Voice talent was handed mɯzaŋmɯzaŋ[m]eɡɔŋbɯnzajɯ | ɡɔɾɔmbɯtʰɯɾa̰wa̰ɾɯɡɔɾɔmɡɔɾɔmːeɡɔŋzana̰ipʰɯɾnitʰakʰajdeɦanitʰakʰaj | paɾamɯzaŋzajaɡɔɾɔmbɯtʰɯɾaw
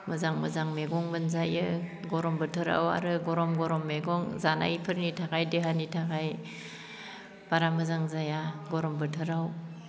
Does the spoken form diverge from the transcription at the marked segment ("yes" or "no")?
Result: no